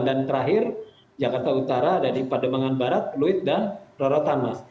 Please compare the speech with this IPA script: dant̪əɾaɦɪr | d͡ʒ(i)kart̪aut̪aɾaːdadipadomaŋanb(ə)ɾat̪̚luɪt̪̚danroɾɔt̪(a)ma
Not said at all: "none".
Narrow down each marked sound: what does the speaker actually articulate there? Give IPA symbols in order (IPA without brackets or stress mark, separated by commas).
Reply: a, a, a